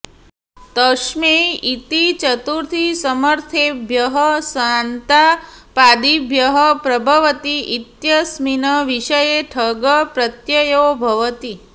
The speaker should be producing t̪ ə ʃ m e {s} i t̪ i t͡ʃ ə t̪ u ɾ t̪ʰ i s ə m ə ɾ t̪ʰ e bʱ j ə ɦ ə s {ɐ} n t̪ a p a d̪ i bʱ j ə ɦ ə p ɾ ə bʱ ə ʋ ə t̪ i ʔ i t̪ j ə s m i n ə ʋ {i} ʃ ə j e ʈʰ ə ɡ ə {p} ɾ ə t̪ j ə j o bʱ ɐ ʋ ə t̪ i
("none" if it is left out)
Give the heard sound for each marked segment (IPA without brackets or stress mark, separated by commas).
none, a, i, p